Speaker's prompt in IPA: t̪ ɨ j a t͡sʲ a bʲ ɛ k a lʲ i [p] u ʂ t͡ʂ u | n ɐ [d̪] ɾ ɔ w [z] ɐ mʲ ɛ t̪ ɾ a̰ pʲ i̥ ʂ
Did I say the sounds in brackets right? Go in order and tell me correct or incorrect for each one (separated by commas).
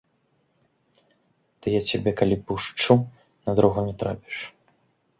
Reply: correct, correct, incorrect